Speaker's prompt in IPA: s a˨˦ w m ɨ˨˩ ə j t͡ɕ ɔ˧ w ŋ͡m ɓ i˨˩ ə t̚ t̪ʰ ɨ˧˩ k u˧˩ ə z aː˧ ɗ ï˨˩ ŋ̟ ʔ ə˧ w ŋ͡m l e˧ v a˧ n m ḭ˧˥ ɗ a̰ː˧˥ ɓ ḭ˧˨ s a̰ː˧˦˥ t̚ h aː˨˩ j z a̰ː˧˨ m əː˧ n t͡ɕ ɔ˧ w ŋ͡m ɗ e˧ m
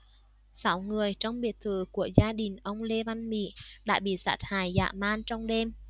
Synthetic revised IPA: s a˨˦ w ŋ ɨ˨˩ ə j t͡ɕ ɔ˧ w ŋ͡m ɓ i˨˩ ə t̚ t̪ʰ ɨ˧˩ k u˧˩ ə z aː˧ ɗ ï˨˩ ŋ̟ ʔ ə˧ w ŋ͡m l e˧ v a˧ n m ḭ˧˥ ɗ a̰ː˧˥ ɓ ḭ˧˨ s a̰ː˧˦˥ t̚ h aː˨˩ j z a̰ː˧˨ m aː˧ n t͡ɕ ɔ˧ w ŋ͡m ɗ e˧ m